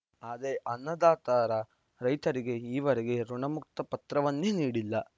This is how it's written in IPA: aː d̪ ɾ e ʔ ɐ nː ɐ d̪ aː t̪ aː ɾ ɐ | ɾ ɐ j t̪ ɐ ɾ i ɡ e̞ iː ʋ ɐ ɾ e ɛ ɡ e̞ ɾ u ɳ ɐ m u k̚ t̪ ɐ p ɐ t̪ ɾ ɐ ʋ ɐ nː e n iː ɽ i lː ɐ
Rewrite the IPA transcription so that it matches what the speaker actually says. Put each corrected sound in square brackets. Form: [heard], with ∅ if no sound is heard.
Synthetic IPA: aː d̪ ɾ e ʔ ɐ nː ɐ d̪ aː t̪ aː ɾ ɐ | ɾ ɐ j t̪ ɐ ɾ i ɡ e̞ iː ʋ ɐ ɾ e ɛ ɡ e̞ ɾ u ɳ ɐ m u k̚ t̪ ɐ p ɐ t̪ ɾ ɐ ʋ ɐ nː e n iː ɽ i lː ɐ